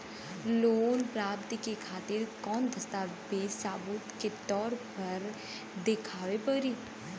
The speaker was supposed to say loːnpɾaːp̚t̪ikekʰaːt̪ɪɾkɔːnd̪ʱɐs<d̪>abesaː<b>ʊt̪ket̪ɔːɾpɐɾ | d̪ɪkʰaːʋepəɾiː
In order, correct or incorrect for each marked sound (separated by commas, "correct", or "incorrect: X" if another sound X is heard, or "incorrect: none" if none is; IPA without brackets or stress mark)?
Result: incorrect: t̪, correct